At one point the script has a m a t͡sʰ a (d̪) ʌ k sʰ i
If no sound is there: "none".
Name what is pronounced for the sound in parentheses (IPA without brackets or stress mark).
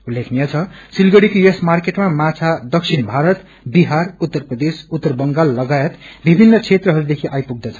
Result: d̪